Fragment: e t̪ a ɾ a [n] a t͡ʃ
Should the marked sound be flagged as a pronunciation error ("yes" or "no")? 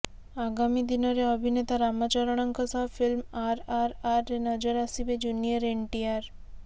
yes